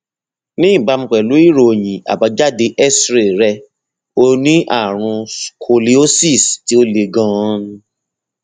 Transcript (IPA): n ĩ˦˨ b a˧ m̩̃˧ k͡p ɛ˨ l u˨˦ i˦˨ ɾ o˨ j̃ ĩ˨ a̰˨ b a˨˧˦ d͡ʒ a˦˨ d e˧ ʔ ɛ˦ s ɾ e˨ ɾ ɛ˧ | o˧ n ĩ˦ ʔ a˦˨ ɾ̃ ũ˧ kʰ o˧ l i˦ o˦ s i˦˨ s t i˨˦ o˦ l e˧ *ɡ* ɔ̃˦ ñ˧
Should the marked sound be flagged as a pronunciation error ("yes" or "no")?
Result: no